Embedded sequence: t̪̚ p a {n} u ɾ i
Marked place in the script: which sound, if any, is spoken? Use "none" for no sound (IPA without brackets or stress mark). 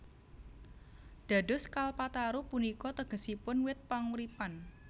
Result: ŋ